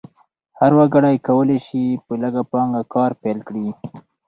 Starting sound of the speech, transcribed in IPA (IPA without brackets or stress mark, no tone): h